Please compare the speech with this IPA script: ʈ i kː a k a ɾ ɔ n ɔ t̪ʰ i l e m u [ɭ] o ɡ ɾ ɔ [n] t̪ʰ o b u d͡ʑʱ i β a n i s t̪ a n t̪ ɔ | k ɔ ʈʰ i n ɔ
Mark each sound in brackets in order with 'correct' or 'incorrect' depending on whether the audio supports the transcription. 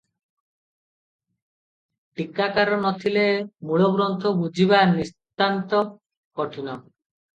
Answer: correct, correct

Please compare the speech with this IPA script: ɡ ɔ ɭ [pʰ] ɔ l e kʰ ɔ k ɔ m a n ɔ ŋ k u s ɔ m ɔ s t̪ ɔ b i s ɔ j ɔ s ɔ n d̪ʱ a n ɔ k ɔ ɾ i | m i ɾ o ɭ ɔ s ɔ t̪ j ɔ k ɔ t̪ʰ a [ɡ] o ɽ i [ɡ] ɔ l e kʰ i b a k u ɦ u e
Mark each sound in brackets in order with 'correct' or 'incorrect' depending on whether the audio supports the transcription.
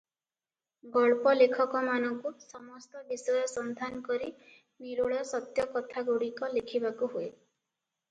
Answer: incorrect: p, correct, incorrect: k

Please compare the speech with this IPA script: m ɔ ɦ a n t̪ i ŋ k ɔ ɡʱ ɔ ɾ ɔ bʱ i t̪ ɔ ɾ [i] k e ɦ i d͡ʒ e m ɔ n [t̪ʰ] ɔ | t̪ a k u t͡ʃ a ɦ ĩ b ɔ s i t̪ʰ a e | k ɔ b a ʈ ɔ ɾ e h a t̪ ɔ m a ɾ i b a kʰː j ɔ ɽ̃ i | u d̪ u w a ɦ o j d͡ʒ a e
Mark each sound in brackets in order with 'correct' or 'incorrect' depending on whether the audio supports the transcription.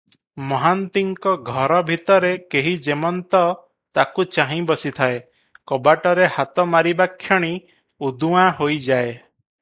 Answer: incorrect: e, incorrect: t̪

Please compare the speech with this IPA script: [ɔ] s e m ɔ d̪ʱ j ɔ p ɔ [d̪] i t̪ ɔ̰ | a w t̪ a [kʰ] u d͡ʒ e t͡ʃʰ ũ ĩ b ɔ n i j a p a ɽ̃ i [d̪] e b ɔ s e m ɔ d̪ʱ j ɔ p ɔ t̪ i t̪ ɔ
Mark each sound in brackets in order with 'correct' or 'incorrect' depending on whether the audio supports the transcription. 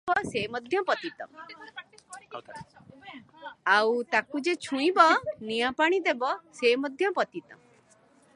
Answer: correct, incorrect: t̪, incorrect: k, correct

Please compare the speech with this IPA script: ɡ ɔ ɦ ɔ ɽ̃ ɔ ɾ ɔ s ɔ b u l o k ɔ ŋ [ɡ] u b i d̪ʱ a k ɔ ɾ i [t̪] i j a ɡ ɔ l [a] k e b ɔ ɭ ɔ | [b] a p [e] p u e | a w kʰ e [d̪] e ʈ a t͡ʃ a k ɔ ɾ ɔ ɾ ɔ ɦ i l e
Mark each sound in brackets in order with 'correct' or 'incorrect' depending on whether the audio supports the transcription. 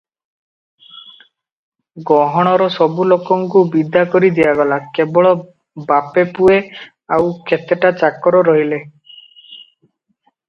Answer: incorrect: k, incorrect: d̪, correct, correct, correct, incorrect: t̪

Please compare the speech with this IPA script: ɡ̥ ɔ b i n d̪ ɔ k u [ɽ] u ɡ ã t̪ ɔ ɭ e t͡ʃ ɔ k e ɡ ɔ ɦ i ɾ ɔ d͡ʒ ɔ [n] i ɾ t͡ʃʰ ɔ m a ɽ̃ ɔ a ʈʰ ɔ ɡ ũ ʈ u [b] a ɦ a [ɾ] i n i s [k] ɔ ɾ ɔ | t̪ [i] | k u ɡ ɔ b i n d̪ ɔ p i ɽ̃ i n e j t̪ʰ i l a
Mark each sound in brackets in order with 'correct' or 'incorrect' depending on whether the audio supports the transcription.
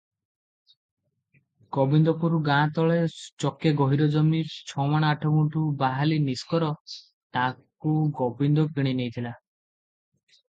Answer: incorrect: ɾ, incorrect: m, correct, incorrect: l, correct, incorrect: a

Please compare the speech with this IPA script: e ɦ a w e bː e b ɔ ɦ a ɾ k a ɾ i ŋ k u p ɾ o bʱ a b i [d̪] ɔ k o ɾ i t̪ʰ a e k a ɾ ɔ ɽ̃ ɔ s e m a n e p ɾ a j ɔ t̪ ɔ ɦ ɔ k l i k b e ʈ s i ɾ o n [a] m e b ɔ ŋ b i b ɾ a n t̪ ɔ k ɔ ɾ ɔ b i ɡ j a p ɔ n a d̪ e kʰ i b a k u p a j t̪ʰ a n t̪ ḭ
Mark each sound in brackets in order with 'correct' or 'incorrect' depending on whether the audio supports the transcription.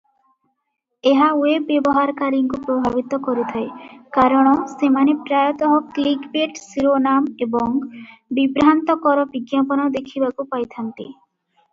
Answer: incorrect: t̪, correct

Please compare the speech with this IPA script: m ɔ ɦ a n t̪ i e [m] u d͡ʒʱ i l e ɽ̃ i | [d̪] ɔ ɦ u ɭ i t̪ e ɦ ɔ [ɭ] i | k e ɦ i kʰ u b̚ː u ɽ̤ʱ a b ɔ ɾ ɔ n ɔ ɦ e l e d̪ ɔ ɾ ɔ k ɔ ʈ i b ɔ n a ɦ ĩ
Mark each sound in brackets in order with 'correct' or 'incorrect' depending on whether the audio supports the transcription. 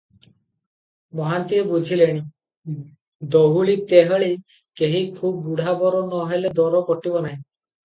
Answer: incorrect: b, correct, correct

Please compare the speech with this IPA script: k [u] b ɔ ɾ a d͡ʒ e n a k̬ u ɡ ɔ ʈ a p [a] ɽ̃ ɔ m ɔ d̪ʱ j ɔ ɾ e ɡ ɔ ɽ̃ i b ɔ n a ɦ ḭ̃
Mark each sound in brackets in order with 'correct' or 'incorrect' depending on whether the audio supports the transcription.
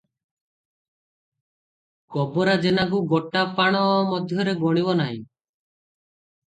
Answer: incorrect: ɔ, correct

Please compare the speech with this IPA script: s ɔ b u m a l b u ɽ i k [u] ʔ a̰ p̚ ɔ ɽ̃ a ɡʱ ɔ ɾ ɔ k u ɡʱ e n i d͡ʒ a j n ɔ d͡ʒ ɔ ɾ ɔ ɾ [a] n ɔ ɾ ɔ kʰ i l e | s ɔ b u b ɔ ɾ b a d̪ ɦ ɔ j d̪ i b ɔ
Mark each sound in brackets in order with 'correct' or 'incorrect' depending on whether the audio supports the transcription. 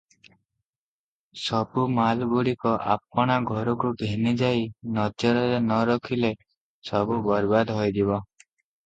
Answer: incorrect: ɔ, incorrect: e

